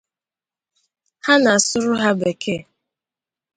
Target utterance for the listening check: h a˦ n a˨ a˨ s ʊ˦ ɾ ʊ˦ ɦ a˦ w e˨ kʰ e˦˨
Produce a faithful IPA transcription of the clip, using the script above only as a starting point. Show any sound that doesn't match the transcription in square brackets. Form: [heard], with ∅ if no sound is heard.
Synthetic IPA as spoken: h a˦ n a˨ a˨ s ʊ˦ ɾ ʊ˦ ɦ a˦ [b] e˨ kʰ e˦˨